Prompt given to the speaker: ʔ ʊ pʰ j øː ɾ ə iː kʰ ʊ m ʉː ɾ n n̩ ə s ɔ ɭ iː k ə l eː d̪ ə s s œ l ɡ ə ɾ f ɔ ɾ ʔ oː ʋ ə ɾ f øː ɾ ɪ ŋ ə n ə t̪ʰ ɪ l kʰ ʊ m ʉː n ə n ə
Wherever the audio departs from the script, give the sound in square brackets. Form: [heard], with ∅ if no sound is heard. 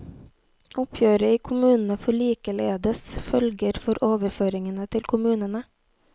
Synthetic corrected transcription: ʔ ʊ pʰ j øː ɾ ə iː kʰ ʊ m ʉː [∅] n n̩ ə [f] ɔ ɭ iː k ə l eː d̪ ə s [f] œ l ɡ ə ɾ f ɔ ɾ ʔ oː ʋ ə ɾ f øː ɾ ɪ ŋ ə n ə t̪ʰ ɪ l kʰ ʊ m ʉː n ə n ə